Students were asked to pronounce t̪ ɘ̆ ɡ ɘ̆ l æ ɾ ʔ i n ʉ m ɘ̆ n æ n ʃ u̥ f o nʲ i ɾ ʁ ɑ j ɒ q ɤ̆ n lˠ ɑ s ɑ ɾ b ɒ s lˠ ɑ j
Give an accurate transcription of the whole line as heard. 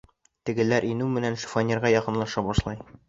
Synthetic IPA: t̪ ɘ̆ ɡ ɘ̆ l æ ɾ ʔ i n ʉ m ɘ̆ n æ n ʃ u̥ f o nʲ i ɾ ʁ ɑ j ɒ q ɤ̆ n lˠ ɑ ʃ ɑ b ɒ ʃ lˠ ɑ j